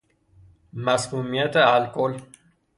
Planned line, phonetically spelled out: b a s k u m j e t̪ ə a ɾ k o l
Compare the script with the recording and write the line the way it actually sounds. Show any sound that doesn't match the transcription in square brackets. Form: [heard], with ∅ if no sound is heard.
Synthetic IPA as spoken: [m] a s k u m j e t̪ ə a [l] k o l